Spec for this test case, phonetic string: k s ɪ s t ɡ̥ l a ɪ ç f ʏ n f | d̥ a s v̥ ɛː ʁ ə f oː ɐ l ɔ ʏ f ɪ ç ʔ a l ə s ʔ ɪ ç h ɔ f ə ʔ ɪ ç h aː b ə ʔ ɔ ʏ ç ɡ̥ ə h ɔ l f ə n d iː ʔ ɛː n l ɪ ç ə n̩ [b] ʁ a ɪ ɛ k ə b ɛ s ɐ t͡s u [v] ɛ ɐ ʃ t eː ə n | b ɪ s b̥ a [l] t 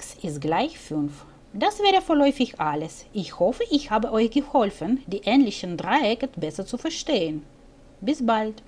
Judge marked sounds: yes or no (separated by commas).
no, no, yes